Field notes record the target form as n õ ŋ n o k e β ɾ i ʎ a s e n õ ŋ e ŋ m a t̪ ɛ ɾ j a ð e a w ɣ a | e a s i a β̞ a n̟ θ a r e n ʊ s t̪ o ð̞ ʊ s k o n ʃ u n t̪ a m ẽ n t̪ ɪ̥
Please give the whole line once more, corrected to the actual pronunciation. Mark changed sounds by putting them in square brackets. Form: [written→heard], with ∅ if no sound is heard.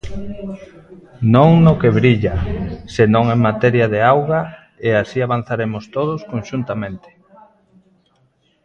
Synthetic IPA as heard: n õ ŋ n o k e β ɾ i ʎ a s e n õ ŋ e ŋ m a t̪ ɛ ɾ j a ð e a w ɣ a | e a s i a β̞ a n̟ θ a [r→ɾ] e [n→m] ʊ s t̪ o ð̞ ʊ s k o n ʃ u n t̪ a m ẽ n t̪ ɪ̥